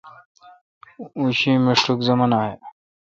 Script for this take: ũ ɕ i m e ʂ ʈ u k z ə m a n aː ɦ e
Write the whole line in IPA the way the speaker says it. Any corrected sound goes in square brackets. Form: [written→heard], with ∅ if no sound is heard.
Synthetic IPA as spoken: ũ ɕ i m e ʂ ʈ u k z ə m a n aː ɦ e

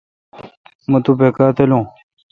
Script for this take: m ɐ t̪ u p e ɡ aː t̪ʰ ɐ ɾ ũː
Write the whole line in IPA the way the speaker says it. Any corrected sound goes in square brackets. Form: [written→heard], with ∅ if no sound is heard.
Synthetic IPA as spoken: m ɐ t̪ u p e [ɡ→k] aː [t̪ʰ→t̪] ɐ [ɾ→l] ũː

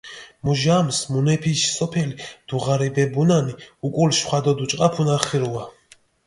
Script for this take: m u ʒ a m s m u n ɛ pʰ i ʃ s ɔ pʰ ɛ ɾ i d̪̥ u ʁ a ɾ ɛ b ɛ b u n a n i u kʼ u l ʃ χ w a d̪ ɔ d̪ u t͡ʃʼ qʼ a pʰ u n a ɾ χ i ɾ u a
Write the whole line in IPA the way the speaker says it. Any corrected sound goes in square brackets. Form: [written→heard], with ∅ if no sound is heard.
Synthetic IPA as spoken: m u ʒ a m s m u n ɛ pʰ i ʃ s ɔ pʰ ɛ [ɾ→l] i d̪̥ u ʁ a ɾ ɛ b ɛ b u n a n i u kʼ u l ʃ χ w a d̪ ɔ d̪ u t͡ʃʼ qʼ a pʰ u n a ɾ χ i ɾ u a

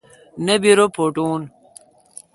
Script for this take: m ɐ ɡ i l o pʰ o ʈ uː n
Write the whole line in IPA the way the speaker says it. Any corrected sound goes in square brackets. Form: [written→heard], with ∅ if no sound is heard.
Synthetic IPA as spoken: [m→n] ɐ [ɡ→b] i [l→ɾ] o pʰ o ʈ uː n

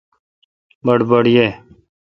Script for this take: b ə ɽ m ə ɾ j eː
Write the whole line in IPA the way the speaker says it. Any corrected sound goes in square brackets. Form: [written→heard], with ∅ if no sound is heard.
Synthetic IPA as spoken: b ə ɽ [m→b] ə [ɾ→ɽ] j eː

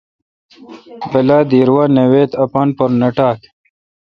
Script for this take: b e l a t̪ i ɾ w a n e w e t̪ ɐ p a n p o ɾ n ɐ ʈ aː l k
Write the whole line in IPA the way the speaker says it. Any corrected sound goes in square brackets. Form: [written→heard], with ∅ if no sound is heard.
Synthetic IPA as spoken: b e l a [t̪→d̪] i ɾ w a n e w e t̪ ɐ p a n p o ɾ n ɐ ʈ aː [l→∅] k

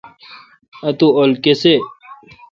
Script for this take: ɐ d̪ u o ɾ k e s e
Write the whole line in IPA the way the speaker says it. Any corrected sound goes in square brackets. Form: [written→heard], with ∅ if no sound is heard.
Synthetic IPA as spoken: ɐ [d̪→t̪] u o [ɾ→l] k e s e

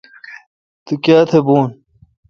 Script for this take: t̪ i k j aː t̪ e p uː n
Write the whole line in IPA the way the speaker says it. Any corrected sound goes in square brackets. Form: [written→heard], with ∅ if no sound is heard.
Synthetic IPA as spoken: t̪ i k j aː [t̪→t̪ʰ] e [p→b] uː n

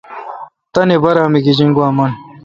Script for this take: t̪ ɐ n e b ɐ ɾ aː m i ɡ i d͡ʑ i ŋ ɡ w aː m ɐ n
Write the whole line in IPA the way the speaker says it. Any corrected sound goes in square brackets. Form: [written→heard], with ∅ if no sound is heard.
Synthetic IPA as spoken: t̪ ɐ n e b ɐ ɾ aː m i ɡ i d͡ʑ i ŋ ɡ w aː m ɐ n

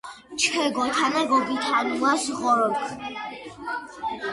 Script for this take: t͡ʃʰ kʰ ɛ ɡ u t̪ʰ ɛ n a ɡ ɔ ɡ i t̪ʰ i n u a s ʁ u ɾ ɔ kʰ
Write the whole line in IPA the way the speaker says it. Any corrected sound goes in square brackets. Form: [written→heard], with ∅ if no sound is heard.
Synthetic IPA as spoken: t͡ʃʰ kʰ ɛ ɡ [u→ɔ] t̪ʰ [ɛ→a] n a ɡ ɔ ɡ i t̪ʰ [i→a] n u a s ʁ [u→ɔ] ɾ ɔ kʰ

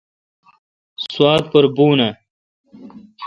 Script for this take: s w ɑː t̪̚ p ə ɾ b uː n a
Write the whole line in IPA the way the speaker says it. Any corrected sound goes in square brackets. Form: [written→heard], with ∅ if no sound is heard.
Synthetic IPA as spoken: s w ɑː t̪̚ p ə ɾ b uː n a

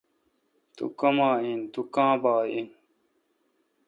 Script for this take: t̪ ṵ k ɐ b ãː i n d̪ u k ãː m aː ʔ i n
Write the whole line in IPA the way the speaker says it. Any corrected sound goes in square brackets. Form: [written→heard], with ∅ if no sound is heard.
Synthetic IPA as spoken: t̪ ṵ k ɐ [b→m] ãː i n [d̪→t̪] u k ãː [m→b] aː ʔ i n

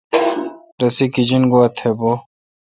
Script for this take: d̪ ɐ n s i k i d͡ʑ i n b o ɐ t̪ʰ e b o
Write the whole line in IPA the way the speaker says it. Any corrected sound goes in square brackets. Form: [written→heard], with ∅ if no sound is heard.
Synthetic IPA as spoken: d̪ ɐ [n→∅] s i k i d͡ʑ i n [b→ɡ] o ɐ t̪ʰ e b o

